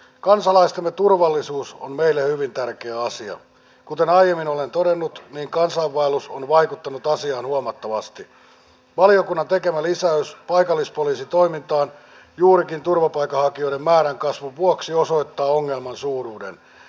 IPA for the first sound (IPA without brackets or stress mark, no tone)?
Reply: k